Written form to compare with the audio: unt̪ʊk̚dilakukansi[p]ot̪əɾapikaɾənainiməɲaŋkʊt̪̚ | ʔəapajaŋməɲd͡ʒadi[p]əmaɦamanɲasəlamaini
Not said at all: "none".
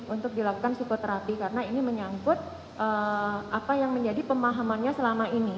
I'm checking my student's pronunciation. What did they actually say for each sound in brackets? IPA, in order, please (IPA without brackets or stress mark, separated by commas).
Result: k, p